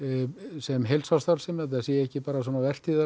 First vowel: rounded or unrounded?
unrounded